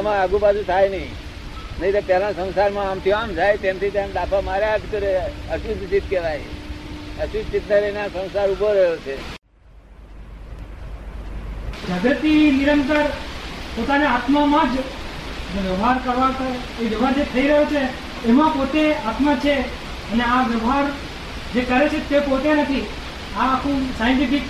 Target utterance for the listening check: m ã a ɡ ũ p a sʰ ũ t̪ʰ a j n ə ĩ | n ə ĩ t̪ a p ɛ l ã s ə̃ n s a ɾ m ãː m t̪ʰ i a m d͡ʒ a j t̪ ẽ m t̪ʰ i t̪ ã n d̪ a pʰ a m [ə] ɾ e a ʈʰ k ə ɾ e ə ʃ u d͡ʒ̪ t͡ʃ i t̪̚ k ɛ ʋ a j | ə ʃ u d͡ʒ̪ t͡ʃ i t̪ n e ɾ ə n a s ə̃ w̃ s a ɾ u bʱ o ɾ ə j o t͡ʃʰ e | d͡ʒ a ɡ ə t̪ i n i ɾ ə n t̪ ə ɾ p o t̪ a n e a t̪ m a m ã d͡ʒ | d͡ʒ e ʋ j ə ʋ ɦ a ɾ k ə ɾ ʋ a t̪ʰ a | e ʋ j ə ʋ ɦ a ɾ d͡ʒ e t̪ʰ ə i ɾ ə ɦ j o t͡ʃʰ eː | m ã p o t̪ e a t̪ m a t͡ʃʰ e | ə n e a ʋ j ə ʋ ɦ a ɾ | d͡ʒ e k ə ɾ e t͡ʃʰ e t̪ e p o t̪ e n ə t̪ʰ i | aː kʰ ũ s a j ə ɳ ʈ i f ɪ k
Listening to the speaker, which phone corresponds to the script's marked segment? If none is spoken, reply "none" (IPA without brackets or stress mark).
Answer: a